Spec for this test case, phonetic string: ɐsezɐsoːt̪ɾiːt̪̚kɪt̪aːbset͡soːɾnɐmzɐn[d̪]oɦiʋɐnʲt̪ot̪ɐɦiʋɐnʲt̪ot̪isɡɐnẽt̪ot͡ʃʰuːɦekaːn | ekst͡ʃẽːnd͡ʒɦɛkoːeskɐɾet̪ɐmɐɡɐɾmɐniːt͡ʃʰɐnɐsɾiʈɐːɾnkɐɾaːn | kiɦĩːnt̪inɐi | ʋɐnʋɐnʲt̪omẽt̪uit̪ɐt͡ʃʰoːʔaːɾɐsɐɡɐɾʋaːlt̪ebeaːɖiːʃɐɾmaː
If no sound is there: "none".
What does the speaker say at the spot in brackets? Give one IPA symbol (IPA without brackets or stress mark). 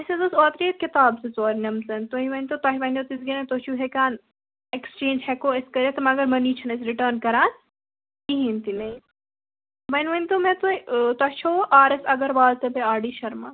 t̪